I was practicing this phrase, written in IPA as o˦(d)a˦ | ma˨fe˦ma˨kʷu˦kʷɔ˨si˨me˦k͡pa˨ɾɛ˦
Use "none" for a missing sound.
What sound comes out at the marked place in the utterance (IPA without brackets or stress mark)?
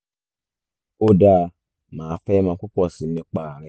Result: d